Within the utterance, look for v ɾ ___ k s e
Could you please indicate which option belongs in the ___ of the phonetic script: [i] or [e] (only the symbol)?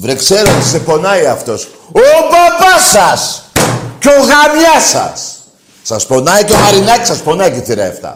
e